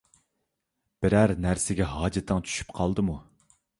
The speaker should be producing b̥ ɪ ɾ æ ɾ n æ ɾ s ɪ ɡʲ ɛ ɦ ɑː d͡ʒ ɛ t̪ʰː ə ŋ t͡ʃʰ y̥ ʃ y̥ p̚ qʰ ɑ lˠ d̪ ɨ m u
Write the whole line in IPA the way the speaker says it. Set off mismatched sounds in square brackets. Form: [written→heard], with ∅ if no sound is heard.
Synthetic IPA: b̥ ɪ ɾ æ ɾ n æ ɾ s ɪ ɡʲ ɛ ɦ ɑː d͡ʒ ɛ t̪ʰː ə ŋ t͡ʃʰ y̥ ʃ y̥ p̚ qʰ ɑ lˠ d̪ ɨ m u